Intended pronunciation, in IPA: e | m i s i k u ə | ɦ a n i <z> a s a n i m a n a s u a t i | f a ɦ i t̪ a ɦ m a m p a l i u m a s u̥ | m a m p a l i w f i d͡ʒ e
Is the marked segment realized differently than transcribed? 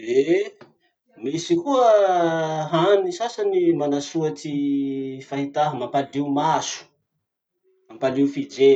yes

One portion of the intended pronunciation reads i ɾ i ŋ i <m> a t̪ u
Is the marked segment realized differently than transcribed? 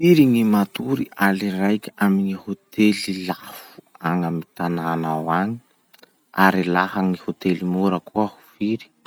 no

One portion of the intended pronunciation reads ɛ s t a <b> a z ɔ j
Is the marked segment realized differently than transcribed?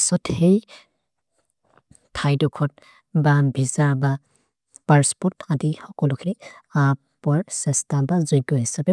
no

